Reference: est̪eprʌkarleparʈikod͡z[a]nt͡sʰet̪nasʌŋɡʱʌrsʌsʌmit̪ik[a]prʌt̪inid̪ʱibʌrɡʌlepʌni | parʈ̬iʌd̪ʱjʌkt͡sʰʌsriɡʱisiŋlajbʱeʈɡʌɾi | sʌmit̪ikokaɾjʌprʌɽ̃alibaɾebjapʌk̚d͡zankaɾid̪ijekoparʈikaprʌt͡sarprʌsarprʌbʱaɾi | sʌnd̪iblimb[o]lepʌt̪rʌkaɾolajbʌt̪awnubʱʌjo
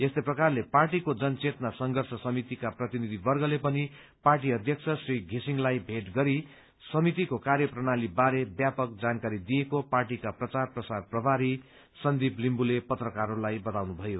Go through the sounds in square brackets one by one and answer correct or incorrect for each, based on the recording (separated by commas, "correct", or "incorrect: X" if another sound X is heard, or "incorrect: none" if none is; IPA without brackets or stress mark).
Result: incorrect: ʌ, correct, incorrect: u